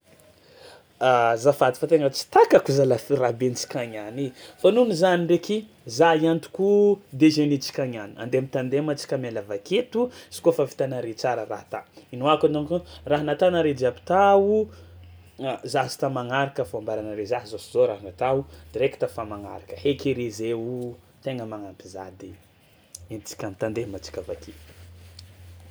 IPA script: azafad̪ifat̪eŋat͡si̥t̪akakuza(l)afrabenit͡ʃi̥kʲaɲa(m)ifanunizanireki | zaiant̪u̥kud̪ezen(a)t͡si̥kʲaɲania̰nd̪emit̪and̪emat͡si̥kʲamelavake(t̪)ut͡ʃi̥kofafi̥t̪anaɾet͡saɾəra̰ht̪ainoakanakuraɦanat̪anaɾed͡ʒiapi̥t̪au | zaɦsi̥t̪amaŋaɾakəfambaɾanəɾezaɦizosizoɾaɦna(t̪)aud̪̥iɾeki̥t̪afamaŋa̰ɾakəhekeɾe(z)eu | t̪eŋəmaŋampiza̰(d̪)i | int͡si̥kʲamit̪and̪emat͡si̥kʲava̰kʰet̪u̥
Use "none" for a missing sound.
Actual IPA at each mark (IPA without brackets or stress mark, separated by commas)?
l, n, i, t̪, t̪, z, d̪